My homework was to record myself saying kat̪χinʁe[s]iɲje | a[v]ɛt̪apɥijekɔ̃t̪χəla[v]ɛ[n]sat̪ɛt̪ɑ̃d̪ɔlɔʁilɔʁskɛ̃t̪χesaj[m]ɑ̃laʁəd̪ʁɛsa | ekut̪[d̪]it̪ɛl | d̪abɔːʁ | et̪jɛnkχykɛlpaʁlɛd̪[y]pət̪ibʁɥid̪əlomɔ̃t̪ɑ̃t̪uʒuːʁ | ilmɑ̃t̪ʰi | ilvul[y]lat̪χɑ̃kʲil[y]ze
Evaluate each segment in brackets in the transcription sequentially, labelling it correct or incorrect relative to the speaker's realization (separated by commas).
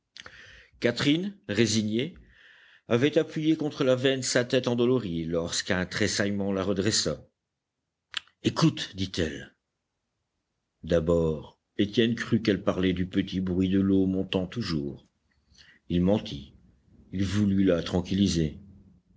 incorrect, correct, correct, correct, correct, correct, correct, correct, incorrect